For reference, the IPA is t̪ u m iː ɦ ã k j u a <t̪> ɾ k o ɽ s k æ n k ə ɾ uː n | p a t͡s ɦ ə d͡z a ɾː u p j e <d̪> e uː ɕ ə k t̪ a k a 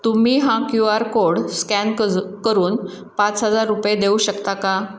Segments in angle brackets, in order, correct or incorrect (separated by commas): incorrect, correct